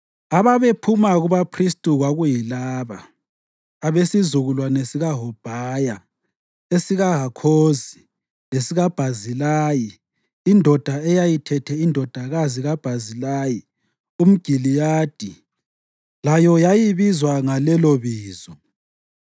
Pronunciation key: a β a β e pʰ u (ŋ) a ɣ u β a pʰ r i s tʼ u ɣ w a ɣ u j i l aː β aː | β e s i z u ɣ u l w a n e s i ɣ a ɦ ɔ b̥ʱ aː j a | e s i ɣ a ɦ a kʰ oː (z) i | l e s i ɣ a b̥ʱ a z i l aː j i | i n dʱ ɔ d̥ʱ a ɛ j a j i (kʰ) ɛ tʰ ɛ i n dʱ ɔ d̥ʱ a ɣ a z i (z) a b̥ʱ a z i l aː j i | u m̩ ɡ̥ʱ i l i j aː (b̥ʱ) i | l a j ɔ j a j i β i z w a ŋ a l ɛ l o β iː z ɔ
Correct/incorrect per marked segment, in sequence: incorrect: m, correct, incorrect: tʰ, incorrect: ɣ, incorrect: d̥ʱ

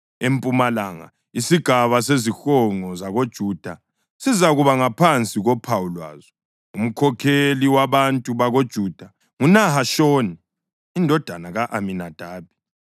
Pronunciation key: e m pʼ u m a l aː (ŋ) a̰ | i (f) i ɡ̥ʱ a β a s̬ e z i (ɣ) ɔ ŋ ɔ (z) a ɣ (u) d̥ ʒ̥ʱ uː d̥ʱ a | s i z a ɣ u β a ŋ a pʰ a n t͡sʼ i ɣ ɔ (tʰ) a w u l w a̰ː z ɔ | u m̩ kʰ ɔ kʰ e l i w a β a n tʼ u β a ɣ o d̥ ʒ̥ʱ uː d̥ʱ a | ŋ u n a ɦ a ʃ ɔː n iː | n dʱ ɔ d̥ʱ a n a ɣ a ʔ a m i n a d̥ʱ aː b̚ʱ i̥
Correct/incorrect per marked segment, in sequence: correct, incorrect: s, incorrect: x, correct, incorrect: o, incorrect: pʰ

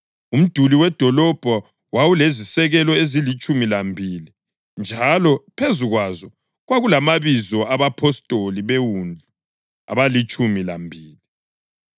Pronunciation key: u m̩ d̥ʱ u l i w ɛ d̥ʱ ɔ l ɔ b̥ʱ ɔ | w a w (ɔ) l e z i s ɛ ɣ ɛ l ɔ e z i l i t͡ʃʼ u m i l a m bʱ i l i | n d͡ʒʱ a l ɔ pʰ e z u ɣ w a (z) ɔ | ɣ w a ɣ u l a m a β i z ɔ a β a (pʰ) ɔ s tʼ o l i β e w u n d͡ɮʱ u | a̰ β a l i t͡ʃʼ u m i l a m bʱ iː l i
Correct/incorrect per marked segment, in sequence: incorrect: u, correct, correct

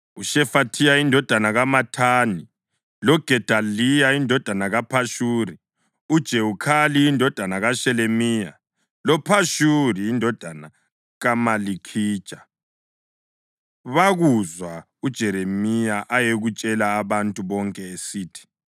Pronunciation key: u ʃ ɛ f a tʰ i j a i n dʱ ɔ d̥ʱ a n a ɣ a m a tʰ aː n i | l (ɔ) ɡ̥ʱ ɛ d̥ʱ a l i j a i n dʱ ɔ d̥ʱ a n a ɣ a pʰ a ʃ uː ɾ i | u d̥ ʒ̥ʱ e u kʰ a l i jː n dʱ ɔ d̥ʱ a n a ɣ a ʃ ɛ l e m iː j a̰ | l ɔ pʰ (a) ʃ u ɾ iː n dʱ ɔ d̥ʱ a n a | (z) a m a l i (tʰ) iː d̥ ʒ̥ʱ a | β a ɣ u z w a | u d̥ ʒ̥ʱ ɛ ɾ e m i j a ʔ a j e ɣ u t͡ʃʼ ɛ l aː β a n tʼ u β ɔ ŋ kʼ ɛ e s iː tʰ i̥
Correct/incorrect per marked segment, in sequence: correct, correct, incorrect: ɣ, incorrect: kʰ

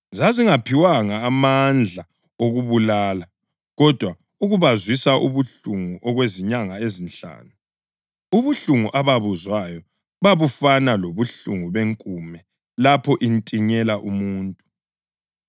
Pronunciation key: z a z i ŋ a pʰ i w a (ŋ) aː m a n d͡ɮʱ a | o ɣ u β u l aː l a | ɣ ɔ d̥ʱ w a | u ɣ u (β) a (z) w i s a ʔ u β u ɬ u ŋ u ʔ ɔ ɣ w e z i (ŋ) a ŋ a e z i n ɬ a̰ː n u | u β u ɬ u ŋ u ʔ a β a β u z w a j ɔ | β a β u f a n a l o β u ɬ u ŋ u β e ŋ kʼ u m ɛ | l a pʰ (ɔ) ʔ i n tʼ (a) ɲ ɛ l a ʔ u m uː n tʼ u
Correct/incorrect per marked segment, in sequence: correct, correct, correct, incorrect: ɲ, correct, incorrect: i

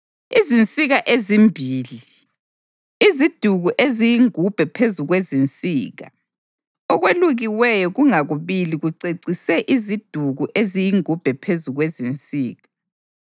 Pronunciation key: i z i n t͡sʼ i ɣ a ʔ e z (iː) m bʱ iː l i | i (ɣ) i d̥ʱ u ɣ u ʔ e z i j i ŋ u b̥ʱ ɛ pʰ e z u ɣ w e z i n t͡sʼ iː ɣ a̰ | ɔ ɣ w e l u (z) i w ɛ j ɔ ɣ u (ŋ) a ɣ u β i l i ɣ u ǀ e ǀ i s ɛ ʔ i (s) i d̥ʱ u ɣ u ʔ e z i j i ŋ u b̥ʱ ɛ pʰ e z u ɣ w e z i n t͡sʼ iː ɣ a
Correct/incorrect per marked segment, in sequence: incorrect: i, incorrect: z, incorrect: ɣ, correct, incorrect: z

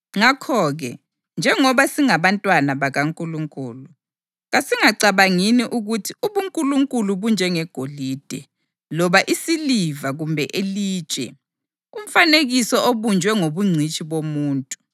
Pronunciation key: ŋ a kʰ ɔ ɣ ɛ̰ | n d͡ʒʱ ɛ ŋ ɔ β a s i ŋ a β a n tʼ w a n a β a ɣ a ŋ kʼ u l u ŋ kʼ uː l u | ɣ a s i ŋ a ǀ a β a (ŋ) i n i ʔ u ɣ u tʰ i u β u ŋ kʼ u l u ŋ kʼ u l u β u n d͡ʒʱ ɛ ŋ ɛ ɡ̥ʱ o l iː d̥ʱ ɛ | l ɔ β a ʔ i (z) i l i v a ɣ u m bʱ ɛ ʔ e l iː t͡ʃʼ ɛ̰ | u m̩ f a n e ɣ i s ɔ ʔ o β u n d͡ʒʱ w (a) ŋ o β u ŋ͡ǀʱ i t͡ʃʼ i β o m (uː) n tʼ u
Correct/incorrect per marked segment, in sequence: correct, incorrect: s, incorrect: ɛ, correct

